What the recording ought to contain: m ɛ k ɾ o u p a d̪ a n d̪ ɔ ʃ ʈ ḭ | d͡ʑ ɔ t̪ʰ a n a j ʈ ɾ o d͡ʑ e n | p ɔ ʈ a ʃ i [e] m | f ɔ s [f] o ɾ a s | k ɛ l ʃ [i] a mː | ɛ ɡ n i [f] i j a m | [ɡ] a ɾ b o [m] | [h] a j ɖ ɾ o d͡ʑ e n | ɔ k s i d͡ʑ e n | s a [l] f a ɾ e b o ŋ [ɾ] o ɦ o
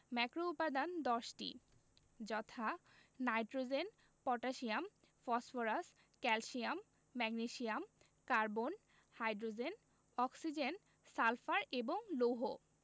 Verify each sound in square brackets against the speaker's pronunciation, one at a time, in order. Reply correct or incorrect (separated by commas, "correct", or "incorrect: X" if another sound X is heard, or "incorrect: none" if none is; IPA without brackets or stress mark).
incorrect: a, correct, correct, incorrect: ʃ, incorrect: k, incorrect: n, correct, correct, incorrect: l